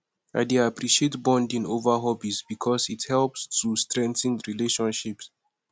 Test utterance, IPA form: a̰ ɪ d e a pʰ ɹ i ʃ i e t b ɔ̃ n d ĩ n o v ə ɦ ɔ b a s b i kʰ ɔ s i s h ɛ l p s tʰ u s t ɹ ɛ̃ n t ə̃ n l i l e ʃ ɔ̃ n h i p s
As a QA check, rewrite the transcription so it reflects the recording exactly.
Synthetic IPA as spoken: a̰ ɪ d e a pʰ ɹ i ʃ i e t b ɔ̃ n d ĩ n o v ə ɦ ɔ b i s b i kʰ ɔ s i t h ɛ l p s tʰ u s t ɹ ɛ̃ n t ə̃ n ɹ i l e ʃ ɔ̃ n ʃ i p s

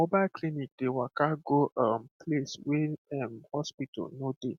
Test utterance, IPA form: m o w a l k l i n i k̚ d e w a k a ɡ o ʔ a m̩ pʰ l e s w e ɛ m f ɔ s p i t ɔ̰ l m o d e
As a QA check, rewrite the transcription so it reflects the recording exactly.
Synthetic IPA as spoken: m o b a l k l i n i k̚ d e w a k a ɡ o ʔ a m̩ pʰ l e s w e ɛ m h ɔ s p i t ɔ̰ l n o d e

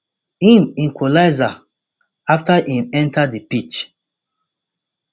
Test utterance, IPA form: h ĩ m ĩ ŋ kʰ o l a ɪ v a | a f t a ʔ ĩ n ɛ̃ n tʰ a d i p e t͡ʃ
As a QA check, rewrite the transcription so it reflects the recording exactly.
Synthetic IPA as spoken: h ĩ m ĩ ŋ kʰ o l a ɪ z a | a f t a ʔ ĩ m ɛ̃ n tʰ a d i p i t͡ʃ

